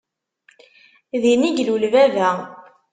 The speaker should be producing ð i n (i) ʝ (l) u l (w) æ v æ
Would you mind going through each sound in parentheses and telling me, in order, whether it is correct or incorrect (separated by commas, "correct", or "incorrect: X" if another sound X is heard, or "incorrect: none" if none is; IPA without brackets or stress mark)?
correct, correct, incorrect: v